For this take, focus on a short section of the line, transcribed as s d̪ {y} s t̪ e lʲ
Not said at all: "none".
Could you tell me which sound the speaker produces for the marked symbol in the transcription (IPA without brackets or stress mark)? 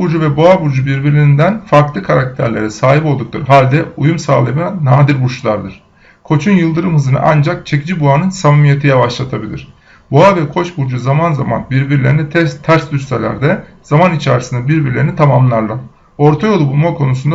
y